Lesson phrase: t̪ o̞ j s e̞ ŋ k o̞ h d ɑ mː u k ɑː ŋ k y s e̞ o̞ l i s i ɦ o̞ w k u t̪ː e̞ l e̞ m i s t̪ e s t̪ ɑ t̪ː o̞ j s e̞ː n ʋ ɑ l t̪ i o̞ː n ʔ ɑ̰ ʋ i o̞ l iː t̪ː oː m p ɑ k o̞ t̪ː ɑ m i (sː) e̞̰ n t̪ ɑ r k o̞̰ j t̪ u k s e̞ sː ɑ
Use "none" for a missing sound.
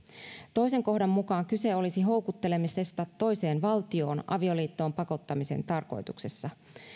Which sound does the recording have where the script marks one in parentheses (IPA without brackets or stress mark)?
s